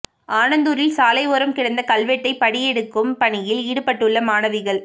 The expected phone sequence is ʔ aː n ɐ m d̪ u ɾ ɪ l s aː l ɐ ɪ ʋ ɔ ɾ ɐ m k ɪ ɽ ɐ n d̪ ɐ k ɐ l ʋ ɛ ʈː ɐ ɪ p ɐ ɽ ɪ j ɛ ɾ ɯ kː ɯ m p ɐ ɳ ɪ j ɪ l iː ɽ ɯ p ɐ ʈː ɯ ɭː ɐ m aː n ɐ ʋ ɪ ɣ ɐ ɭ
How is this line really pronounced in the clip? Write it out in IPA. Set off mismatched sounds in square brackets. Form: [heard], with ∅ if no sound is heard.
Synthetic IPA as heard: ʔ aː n ɐ [n] d̪ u ɾ ɪ l s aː l ɐ ɪ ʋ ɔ ɾ ɐ m k ɪ ɽ ɐ n d̪ ɐ k ɐ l ʋ ɛ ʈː ɐ ɪ p ɐ ɽ ɪ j ɛ [ɽ] ɯ kː ɯ m p ɐ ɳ ɪ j ɪ l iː ɽ ɯ p ɐ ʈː ɯ ɭː ɐ m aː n ɐ ʋ ɪ ɣ ɐ ɭ